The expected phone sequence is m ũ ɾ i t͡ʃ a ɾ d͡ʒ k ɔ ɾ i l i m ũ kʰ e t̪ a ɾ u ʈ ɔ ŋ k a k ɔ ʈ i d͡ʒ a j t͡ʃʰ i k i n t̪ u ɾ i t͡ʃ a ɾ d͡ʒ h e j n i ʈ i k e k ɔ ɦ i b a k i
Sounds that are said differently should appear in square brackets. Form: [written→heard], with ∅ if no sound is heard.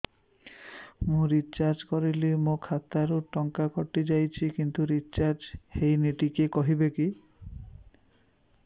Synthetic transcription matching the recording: m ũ ɾ i t͡ʃ a ɾ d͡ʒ k ɔ ɾ i l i m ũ kʰ [e→a] t̪ a ɾ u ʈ ɔ ŋ k a k ɔ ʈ i d͡ʒ a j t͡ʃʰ i k i n t̪ u ɾ i t͡ʃ a ɾ d͡ʒ h e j n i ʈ i k e k ɔ ɦ i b [a→e] k i